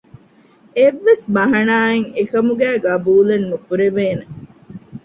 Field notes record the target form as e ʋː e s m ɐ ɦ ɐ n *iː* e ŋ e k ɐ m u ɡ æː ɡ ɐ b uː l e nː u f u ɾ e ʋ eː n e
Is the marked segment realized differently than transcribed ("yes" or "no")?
yes